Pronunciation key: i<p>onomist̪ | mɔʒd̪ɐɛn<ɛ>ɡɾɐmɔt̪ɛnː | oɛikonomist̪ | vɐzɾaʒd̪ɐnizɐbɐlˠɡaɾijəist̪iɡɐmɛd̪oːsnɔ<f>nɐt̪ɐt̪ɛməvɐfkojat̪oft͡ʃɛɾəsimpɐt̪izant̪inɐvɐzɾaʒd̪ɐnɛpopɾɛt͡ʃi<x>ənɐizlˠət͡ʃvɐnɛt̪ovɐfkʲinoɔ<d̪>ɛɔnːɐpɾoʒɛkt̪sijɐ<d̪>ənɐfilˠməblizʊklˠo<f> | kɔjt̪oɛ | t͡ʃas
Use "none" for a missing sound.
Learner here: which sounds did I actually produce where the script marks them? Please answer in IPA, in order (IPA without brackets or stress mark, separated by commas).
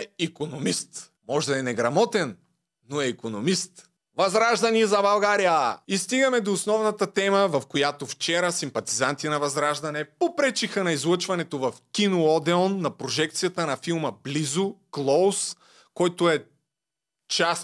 k, ɛ, v, x, d̪, t̪, s